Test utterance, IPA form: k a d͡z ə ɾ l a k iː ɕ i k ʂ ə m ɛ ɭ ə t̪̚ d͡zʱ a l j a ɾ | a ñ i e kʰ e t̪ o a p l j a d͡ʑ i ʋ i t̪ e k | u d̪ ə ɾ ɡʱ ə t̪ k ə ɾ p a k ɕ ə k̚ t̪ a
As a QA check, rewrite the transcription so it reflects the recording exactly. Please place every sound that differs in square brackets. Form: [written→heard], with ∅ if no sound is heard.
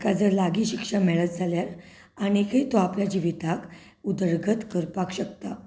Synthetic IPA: k a d͡z ə ɾ l a [k→ɡ] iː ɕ i k ʂ ə m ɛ ɭ ə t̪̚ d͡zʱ a l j a ɾ | a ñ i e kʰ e t̪ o a p l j a d͡ʑ i ʋ i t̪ [e→a] k | u d̪ ə ɾ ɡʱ ə t̪ k ə ɾ p a k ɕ ə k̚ t̪ a